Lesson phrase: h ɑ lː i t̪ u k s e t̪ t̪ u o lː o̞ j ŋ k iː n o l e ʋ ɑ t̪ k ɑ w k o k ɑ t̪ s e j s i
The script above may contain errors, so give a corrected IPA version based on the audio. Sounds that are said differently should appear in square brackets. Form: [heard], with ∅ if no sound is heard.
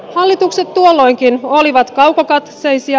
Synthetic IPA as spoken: h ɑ lː i t̪ u k s e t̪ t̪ u o lː o̞ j ŋ k [i] n o l [i] ʋ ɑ t̪ k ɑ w k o k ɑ t̪ s e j s i